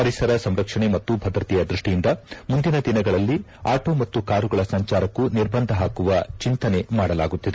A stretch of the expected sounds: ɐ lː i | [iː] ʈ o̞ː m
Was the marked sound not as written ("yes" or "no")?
yes